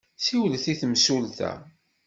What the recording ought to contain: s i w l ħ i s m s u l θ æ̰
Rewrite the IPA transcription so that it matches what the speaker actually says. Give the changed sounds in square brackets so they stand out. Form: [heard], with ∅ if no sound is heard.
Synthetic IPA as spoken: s i w l [θ] i [θ] m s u l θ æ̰